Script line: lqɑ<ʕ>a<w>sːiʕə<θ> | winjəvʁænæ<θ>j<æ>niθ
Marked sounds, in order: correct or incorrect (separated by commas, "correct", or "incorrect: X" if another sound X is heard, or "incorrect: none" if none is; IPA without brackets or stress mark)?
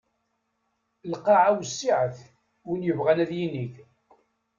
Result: correct, correct, correct, incorrect: ð, incorrect: i